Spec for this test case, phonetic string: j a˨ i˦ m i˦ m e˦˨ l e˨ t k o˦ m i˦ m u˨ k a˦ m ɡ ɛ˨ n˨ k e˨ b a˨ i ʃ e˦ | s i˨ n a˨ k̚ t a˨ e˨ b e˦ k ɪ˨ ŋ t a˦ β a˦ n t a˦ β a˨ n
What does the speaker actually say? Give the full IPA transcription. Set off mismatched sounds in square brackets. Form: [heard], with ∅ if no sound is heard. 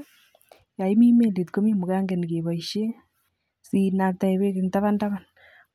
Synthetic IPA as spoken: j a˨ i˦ m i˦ m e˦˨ l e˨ t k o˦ m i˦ m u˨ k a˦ [ŋ] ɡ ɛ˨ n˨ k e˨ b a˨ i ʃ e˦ | s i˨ n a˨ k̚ t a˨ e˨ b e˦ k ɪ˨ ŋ t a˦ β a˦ n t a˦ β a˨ n